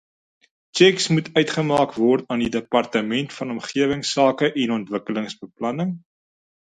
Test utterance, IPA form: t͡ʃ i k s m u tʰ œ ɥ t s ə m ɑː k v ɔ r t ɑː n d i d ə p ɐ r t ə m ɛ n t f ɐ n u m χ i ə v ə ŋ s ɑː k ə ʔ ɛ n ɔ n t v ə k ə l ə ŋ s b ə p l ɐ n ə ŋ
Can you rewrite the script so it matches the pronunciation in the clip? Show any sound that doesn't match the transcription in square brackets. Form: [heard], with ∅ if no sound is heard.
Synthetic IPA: t͡ʃ [ɛ] k s m u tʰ œ ɥ t [χ] ə m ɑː k v ɔ r t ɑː n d i d ə p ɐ r t ə m ɛ n t f ɐ n [ɔ] m χ i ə v ə ŋ s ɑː k ə ʔ ɛ n ɔ n t v ə k ə l ə ŋ s b ə p l ɐ n ə ŋ